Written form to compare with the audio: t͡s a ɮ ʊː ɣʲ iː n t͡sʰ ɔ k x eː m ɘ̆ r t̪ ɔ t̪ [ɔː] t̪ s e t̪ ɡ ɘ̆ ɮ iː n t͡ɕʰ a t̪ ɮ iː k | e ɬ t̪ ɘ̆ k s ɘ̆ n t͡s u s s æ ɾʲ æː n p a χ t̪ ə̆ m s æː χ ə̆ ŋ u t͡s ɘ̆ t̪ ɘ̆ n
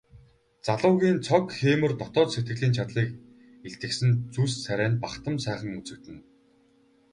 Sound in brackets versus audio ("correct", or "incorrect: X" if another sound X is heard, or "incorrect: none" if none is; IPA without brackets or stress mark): correct